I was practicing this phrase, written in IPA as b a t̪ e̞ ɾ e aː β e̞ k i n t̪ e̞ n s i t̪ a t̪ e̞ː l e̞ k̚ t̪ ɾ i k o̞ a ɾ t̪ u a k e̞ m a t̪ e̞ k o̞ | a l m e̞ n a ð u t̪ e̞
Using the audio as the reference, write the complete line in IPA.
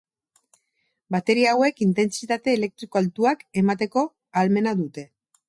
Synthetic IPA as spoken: b a t̪ e̞ ɾ i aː w e̞ k i n t̪ e̞ n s i t̪ a t̪ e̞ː l e̞ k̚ t̪ ɾ i k o̞ a l t̪ u a k e̞ m a t̪ e̞ k o̞ | a l m e̞ n a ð u t̪ e̞